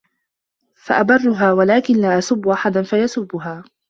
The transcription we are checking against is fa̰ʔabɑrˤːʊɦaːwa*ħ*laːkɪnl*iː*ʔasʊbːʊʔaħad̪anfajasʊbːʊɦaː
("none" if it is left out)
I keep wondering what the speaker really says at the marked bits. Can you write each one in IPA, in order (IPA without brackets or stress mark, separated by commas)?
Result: none, aː